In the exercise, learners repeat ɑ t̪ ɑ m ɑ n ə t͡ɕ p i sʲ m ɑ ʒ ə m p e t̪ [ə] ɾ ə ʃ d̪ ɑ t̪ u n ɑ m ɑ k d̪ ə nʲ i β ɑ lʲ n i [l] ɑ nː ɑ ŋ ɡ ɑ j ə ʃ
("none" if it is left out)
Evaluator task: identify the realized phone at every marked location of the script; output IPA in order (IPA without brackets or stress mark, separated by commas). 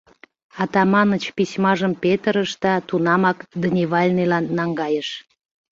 ə, l